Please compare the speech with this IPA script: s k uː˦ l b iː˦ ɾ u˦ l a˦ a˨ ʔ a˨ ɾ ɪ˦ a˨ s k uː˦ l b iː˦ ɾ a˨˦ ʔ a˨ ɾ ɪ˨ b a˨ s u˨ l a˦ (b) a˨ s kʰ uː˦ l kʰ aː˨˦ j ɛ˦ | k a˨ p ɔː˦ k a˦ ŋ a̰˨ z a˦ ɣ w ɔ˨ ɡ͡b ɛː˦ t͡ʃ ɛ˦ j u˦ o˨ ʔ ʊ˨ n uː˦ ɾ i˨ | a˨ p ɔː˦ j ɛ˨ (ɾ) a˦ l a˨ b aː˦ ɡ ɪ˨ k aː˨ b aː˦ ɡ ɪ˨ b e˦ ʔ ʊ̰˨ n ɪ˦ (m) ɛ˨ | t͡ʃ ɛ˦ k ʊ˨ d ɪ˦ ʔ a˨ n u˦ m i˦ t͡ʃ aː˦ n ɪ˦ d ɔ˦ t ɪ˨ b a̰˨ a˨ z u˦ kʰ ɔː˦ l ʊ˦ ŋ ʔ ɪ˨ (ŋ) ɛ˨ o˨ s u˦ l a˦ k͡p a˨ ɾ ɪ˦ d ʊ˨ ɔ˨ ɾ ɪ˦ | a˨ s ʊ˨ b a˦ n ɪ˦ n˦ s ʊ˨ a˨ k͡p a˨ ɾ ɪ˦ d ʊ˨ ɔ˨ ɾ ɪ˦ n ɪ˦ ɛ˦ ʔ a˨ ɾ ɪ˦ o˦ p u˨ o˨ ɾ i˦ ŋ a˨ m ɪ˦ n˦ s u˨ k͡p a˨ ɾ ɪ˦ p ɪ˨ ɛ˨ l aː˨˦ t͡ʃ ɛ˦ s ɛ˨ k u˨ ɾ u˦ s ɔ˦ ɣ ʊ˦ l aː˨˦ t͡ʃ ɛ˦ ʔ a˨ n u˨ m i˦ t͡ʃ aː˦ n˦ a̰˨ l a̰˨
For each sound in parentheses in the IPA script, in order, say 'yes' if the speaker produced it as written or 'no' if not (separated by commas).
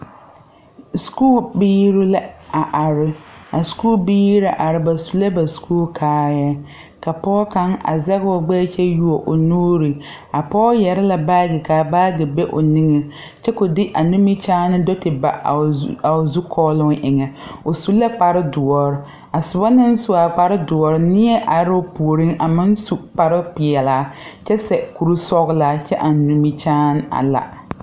yes, yes, no, yes